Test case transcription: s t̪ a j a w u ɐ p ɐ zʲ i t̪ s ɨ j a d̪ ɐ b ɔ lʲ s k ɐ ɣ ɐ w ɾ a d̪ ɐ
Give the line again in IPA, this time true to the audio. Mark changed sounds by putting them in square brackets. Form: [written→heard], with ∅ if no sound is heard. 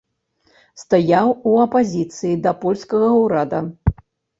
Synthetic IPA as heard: s t̪ a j a w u ɐ p [ɐ→a] zʲ i t̪ s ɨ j [a→i] d̪ ɐ [b→p] ɔ lʲ s k ɐ ɣ ɐ w ɾ a d̪ ɐ